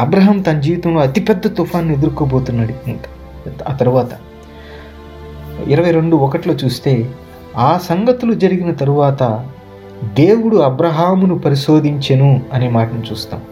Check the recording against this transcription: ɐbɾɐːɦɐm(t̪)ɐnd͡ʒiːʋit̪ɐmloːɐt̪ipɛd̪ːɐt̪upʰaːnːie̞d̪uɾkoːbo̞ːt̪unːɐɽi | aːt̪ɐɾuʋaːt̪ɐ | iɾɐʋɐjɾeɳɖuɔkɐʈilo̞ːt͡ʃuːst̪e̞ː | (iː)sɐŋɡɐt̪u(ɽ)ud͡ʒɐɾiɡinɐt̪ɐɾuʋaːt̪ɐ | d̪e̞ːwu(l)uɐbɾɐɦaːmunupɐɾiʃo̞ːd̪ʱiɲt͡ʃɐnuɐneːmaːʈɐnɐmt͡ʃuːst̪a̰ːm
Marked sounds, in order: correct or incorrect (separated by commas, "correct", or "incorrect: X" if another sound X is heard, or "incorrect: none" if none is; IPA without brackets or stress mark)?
correct, incorrect: aː, incorrect: l, incorrect: ɽ